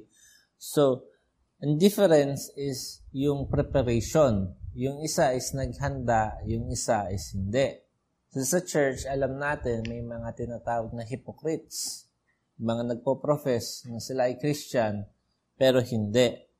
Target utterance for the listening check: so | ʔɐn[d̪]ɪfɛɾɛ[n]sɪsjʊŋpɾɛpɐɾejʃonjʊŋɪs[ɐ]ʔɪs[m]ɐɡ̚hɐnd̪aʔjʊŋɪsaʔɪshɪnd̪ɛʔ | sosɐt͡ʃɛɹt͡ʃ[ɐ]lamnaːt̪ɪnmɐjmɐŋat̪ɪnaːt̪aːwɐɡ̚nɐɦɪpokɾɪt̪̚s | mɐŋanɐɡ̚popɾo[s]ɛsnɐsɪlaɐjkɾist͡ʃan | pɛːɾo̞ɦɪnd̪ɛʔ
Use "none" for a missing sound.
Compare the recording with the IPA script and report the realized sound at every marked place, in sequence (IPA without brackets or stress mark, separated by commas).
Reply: d̪, n, a, n, ɐ, f